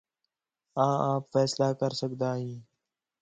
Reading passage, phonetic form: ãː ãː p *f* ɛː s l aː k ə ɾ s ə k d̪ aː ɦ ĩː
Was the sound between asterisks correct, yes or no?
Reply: yes